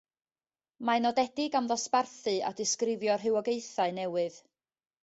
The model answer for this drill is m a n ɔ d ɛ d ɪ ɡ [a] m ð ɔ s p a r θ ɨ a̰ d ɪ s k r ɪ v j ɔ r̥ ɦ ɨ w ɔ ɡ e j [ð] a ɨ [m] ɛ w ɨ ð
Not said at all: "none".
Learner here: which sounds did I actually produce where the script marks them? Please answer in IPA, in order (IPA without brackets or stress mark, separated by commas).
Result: a, θ, n